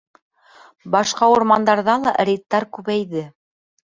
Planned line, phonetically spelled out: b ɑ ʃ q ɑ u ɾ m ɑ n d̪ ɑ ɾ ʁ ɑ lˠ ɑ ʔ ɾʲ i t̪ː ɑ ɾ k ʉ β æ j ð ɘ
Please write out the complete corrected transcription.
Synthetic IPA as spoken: b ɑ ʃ q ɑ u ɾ m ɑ n d̪ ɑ ɾ ð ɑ lˠ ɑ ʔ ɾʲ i t̪ː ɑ ɾ k ʉ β æ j ð ɘ